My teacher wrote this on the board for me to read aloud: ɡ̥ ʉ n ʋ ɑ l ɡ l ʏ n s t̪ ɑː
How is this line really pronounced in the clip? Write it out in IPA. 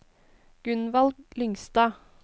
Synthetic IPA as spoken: ɡ̥ ʉ n ʋ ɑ l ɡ l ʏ ŋ s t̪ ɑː